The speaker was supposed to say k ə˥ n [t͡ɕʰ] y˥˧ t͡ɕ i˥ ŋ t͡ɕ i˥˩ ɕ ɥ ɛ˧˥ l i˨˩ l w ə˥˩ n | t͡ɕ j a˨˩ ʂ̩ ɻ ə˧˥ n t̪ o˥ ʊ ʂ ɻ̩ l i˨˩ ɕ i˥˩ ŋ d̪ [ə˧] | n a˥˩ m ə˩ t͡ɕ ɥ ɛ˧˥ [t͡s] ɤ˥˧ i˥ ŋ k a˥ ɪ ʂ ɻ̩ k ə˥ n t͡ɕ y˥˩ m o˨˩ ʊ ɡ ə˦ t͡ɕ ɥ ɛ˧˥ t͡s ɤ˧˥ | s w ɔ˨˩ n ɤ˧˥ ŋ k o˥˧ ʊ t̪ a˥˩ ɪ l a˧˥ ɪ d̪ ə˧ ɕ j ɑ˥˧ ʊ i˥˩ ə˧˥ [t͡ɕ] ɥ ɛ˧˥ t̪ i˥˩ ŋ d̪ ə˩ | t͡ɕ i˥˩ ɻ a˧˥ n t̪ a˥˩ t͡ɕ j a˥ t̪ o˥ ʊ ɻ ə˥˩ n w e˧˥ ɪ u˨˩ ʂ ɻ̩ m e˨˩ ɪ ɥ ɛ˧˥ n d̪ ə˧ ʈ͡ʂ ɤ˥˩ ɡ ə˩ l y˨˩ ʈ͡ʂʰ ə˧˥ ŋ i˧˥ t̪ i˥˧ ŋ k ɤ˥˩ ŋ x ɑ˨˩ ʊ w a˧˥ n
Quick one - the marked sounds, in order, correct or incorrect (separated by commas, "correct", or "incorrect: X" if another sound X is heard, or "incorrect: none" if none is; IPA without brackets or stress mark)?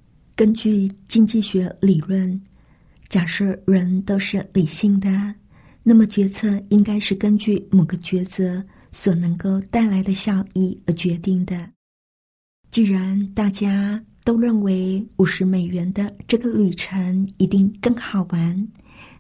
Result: incorrect: t͡ɕ, incorrect: ə˩, incorrect: t͡sʰ, correct